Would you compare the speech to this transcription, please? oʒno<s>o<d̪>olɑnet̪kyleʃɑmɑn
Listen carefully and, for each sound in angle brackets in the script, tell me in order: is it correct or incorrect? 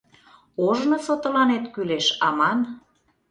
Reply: correct, incorrect: t̪

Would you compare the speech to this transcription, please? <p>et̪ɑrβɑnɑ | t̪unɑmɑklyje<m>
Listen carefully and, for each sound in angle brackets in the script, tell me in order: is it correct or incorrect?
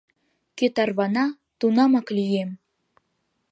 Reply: incorrect: k, correct

